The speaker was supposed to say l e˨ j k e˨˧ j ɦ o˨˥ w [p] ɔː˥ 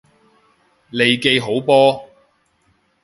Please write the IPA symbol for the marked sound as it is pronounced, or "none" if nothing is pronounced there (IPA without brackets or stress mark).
p